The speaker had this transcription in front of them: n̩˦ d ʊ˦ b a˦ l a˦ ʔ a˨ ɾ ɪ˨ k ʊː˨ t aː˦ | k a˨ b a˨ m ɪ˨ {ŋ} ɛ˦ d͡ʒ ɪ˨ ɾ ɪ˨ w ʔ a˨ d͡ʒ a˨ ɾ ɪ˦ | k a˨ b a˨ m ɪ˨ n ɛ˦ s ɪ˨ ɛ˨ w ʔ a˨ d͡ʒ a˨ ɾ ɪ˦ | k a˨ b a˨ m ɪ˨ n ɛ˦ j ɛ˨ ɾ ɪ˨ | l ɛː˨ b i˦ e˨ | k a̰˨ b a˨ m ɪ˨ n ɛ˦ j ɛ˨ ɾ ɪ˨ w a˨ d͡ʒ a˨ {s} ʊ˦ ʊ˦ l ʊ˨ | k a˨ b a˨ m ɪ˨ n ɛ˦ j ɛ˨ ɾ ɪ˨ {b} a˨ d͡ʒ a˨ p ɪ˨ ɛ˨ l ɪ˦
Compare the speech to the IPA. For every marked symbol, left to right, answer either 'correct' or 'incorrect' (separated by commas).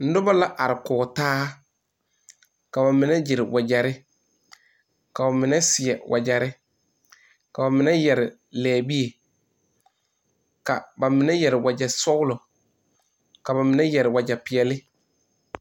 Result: incorrect, correct, incorrect